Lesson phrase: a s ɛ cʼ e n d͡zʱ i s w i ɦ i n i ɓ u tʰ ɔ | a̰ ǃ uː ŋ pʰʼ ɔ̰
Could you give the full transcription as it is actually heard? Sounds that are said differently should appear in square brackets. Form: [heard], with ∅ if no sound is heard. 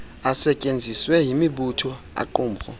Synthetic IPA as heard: a s ɛ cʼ e n d͡zʱ i s w [ɛ] ɦ i [m] i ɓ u tʰ ɔ | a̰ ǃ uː [m] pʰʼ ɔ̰